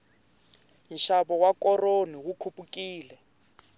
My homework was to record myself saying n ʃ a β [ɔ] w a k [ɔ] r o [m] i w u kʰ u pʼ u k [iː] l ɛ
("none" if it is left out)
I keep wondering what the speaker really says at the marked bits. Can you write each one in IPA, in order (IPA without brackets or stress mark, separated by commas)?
ɔ, ɔ, n, iː